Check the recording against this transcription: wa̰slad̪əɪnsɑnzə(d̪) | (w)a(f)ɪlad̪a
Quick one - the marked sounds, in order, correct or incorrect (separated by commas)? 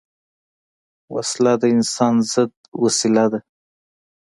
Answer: correct, correct, incorrect